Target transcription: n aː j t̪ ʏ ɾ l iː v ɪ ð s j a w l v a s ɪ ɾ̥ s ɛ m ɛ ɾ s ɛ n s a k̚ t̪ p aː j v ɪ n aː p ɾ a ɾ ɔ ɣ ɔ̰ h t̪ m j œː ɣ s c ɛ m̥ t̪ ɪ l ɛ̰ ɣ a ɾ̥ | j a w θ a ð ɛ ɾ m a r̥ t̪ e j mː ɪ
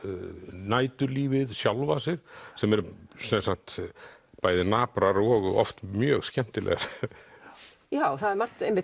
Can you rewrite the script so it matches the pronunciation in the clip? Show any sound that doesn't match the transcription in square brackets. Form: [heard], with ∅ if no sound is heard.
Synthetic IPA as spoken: n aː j t̪ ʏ ɾ l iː v ɪ ð s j a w l v a s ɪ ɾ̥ s ɛ m ɛ ɾ s ɛ n s a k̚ t̪ p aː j [ð] ɪ n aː p ɾ a ɾ ɔ ɣ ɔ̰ [f] t̪ m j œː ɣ s c ɛ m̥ t̪ ɪ l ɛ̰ ɣ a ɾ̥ | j a w θ a ð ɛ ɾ m a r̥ t̪ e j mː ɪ